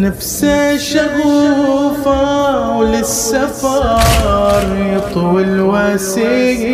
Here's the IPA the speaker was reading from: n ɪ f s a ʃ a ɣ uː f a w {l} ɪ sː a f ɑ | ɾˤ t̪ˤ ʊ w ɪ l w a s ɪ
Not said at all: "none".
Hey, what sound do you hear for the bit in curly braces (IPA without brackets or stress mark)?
l